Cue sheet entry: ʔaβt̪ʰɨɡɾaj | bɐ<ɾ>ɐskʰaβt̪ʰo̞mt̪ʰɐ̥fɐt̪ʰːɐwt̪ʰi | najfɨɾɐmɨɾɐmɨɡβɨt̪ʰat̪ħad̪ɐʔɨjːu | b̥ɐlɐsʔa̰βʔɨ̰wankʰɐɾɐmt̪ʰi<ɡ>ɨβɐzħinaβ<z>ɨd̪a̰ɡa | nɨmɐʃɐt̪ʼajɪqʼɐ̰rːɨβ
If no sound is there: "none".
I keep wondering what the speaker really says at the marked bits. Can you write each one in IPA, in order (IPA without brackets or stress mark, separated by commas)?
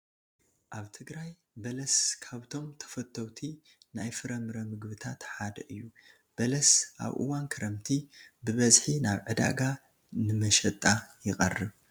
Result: l, b, ʕ